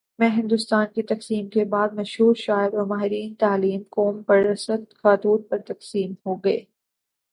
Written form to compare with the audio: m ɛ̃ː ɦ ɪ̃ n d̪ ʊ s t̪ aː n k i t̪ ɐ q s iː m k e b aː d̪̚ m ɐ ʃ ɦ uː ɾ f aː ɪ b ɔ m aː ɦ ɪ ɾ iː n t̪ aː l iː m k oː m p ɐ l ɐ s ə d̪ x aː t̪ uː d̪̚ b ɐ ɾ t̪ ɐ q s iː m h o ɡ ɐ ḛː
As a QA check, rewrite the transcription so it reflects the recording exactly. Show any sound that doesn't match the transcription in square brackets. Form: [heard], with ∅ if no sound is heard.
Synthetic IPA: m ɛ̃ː ɦ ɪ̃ n d̪ ʊ s t̪ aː n k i t̪ ɐ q s iː m k e b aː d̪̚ m ɐ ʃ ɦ uː ɾ [ʃ] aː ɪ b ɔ m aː ɦ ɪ ɾ iː n t̪ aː l iː m k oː m p ɐ [ɾ] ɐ s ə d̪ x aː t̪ uː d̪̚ [p] ɐ ɾ t̪ ɐ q s iː m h o ɡ ɐ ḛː